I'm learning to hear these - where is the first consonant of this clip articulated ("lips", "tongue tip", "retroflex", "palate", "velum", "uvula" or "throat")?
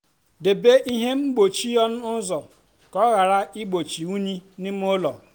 tongue tip